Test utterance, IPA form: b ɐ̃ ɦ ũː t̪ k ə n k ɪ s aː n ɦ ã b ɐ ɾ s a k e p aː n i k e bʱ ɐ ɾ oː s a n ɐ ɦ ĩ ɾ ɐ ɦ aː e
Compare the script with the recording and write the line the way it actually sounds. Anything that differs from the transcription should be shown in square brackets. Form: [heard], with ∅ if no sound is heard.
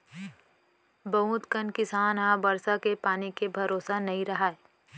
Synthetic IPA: b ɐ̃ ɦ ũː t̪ k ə n k ɪ s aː n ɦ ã b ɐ ɾ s a k e p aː n i k e bʱ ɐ ɾ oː s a n ɐ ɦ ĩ ɾ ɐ ɦ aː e